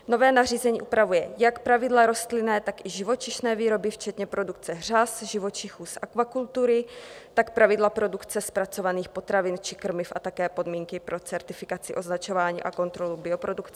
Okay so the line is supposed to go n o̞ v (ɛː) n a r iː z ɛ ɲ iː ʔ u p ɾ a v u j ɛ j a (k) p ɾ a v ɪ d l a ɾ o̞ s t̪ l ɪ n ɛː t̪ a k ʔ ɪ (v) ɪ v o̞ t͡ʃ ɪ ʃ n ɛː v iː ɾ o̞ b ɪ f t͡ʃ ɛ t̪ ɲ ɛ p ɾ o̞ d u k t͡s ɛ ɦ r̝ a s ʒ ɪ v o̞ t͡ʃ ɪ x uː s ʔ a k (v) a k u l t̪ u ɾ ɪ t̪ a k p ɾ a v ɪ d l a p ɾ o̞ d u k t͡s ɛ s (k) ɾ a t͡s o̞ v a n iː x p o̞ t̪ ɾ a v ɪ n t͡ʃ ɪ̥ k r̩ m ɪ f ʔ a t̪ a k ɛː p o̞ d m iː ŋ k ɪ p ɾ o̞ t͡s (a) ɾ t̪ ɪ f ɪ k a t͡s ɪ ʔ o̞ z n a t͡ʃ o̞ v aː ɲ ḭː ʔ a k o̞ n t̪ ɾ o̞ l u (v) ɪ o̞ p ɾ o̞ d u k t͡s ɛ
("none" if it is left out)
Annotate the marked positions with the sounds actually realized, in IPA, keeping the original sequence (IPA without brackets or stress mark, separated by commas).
ɛː, k, ʒ, v, p, ɛ, b